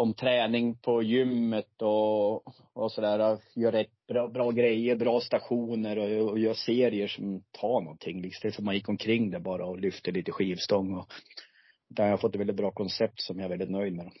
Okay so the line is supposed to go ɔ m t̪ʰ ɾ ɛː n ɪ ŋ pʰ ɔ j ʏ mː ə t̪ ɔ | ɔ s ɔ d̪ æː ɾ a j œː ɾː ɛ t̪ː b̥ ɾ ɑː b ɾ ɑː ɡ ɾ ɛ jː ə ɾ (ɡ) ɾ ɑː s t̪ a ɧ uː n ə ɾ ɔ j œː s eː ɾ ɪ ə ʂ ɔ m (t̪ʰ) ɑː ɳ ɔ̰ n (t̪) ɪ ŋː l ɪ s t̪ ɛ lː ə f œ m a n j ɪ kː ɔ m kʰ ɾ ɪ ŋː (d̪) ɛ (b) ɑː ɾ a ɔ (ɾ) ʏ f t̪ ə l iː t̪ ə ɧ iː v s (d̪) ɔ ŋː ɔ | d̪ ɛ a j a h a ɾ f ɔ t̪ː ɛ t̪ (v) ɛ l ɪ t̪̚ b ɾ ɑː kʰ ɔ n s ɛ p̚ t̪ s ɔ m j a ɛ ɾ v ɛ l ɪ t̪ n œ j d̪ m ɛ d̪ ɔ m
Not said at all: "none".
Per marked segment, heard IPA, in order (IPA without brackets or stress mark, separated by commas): b, t̪ʰ, t̪ʰ, d̪, b, l, t̪, v